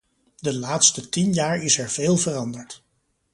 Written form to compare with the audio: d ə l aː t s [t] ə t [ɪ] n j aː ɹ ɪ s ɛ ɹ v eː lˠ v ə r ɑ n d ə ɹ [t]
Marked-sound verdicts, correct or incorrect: correct, incorrect: i, correct

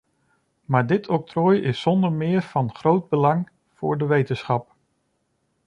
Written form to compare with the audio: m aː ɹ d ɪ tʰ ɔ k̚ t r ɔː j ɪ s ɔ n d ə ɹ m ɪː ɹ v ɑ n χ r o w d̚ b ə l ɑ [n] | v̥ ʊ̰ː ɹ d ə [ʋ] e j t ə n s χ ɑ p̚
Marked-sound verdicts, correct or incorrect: incorrect: ŋ, correct

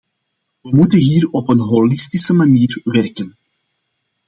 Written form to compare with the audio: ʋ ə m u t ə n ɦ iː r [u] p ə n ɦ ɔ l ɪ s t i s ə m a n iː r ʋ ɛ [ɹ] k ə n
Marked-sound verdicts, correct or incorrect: incorrect: ɔ, incorrect: r

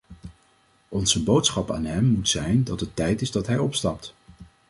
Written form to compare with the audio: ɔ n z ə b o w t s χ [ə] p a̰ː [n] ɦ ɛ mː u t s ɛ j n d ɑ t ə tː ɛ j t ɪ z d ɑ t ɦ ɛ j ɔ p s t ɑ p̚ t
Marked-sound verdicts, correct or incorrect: incorrect: ɑ, correct

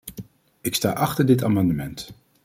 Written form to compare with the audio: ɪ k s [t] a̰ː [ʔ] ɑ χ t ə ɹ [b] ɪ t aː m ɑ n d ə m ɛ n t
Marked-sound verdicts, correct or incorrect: correct, correct, incorrect: d

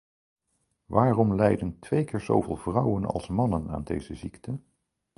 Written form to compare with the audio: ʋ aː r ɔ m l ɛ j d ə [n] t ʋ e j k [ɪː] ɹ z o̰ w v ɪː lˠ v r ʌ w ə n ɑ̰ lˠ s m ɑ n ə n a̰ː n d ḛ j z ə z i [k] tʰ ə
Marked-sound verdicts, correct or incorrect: correct, correct, correct

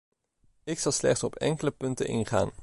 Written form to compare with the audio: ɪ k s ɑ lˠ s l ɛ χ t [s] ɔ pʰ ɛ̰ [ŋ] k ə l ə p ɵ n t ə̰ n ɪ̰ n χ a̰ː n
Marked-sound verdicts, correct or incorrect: correct, correct

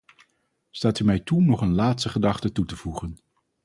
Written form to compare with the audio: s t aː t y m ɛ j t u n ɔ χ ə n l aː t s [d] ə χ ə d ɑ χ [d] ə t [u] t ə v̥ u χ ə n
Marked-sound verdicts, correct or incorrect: incorrect: t, incorrect: t, correct

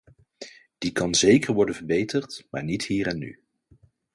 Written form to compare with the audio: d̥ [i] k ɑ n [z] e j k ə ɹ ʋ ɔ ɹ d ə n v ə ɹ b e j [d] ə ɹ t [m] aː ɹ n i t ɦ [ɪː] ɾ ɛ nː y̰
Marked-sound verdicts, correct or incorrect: correct, correct, incorrect: t, correct, incorrect: iː

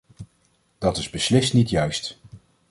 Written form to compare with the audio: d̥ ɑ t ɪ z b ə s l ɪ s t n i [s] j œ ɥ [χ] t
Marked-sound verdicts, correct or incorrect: incorrect: t, incorrect: s

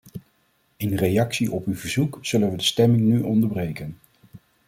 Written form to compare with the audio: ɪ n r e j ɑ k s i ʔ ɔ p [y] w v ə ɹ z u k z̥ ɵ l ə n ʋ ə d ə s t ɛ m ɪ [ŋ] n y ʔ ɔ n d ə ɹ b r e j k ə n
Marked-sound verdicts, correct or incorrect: correct, correct

